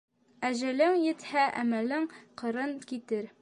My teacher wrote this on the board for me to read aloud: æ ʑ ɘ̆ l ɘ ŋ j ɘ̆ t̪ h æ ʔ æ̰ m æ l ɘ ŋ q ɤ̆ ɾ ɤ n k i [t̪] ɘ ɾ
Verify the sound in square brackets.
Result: correct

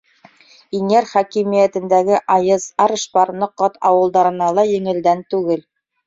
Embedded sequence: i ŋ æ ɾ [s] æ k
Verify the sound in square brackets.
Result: incorrect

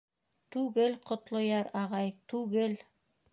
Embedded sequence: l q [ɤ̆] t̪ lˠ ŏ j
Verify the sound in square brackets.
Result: incorrect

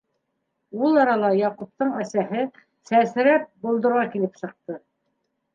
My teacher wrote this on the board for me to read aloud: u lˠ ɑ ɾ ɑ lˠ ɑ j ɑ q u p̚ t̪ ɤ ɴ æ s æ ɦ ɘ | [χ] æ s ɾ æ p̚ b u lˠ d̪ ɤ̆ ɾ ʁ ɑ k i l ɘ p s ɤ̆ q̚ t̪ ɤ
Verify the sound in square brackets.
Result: incorrect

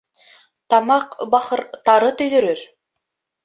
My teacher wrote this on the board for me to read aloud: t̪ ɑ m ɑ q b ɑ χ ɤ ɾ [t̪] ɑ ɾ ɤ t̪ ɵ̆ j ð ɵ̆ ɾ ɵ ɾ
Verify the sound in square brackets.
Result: correct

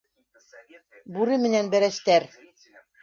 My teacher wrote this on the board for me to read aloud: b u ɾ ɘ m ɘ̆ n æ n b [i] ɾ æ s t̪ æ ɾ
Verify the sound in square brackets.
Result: incorrect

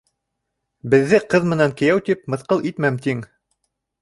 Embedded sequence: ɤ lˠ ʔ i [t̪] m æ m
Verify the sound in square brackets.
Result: correct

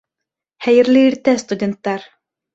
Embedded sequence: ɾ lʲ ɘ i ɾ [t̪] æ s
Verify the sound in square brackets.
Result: correct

